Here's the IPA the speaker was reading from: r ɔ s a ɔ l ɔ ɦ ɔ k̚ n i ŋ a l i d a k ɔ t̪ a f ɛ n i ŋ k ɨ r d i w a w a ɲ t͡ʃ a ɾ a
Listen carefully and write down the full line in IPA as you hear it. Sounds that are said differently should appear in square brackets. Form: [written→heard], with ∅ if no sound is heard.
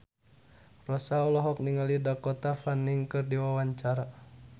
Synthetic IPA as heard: r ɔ s a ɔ l ɔ ɦ ɔ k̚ n i ŋ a l i d a k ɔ t̪ a f [ɛ→a] n i ŋ k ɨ r d i w a w a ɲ t͡ʃ a ɾ a